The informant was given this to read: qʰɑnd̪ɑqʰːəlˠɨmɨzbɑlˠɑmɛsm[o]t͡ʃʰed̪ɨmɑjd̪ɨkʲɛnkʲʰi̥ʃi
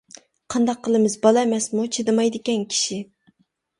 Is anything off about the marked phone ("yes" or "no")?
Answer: yes